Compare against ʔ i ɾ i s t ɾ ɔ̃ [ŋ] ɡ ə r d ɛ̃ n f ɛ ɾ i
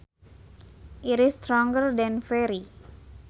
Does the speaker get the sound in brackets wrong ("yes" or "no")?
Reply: no